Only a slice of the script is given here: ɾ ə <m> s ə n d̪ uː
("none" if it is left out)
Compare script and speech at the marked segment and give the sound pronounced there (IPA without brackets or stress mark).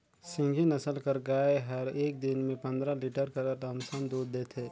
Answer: m